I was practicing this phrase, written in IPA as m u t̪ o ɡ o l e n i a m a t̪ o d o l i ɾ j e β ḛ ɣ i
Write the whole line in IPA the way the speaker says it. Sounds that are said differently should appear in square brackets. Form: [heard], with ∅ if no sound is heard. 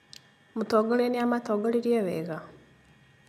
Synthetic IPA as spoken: m u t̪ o ɡ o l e n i a m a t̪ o [ɡ] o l i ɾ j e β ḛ ɣ [a]